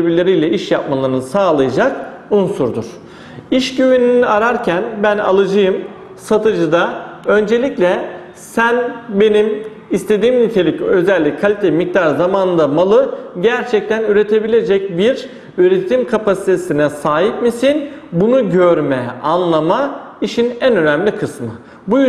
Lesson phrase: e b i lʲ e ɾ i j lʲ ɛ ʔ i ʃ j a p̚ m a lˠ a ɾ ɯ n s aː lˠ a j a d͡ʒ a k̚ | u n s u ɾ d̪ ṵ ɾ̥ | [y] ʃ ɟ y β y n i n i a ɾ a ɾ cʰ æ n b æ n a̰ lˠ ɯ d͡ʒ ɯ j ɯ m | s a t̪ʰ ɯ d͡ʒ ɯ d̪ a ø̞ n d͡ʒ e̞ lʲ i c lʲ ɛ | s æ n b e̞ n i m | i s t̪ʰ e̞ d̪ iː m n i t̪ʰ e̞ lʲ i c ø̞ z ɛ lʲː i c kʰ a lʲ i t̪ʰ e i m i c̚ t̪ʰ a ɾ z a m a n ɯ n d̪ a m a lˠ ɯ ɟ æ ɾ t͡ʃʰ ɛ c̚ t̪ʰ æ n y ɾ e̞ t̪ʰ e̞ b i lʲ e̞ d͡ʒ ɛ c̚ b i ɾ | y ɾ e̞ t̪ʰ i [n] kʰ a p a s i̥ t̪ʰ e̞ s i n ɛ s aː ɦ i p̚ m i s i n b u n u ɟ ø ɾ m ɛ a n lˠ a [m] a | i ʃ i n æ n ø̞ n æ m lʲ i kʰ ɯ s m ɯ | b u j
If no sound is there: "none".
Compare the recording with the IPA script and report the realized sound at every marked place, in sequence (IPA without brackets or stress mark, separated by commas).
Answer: i, m, m